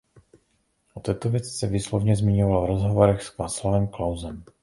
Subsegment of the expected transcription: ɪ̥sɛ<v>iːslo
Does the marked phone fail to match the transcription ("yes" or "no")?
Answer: no